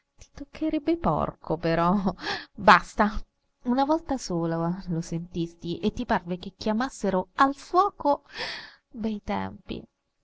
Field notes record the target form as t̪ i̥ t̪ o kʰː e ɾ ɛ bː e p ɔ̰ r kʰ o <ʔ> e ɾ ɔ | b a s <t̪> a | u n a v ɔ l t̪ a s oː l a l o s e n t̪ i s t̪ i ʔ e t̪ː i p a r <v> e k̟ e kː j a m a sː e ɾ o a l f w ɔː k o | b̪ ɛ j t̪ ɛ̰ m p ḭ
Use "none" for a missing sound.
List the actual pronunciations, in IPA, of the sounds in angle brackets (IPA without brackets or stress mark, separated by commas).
p, t̪, v